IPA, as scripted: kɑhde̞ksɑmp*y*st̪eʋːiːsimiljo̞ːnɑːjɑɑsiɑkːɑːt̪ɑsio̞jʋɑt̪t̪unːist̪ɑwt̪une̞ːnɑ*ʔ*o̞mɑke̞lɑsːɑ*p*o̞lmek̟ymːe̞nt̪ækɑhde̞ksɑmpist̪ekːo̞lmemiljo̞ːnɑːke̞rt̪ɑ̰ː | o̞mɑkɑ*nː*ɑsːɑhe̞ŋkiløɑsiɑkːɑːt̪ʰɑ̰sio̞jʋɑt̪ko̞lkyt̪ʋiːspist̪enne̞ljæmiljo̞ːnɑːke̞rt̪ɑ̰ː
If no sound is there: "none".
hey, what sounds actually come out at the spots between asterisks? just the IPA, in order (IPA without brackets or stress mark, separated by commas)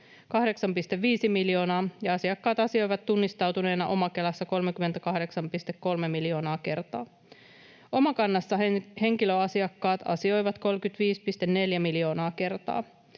i, ʔ, k, nː